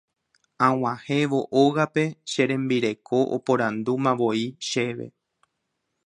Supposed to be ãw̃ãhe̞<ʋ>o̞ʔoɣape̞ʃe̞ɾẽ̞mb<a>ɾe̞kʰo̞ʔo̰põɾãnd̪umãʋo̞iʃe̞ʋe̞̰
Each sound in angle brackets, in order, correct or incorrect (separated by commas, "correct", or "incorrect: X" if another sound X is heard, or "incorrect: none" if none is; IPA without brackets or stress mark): correct, incorrect: i